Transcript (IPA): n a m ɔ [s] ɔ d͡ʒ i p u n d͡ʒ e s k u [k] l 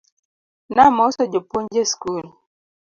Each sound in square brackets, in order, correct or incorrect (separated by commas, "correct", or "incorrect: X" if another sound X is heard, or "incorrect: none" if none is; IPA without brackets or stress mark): correct, incorrect: none